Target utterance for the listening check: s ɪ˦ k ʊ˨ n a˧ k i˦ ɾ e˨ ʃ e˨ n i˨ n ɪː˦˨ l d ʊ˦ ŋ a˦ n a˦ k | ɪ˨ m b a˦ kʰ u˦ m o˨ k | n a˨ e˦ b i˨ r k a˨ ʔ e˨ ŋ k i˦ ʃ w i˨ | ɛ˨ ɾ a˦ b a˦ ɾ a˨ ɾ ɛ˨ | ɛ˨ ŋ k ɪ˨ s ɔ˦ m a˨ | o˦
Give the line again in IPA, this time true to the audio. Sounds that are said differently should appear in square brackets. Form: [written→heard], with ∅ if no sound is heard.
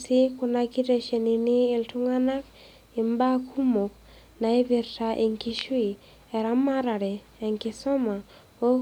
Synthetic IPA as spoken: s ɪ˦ k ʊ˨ n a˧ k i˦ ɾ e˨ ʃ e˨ n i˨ n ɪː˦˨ l [d→t] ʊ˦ ŋ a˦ n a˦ k | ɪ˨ m b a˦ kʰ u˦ m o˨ k | n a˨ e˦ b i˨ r [k→t] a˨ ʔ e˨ ŋ k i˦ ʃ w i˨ | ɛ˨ ɾ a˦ [b→m] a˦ ɾ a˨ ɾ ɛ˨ | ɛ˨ ŋ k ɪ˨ s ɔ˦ m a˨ | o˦